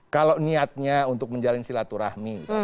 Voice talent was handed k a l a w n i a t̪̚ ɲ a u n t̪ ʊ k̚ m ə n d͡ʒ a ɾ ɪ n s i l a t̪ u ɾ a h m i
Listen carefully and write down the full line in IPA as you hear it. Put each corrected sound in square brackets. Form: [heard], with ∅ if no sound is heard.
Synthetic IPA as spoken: k a l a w n i a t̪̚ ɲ a u n t̪ ʊ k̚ m ə [ɲ] d͡ʒ a [l] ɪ n s i l a t̪ u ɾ a h m i